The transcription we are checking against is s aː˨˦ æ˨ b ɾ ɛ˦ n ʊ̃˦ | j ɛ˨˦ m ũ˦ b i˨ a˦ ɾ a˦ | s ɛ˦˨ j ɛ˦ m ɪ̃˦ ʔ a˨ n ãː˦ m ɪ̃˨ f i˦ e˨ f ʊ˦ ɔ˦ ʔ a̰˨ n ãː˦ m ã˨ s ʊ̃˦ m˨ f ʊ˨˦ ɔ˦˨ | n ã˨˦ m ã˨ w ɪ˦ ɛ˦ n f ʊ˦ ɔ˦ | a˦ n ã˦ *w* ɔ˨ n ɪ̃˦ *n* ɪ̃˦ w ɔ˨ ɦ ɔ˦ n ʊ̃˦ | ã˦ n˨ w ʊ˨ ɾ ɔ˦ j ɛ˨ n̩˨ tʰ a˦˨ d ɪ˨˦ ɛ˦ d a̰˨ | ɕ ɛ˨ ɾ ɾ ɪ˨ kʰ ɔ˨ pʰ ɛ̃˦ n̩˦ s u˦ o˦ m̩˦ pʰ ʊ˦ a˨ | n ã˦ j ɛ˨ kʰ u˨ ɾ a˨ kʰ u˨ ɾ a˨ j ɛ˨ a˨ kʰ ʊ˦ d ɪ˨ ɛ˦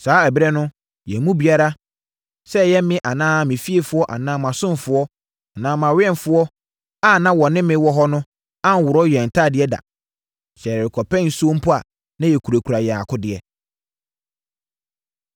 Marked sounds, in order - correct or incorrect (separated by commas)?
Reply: correct, incorrect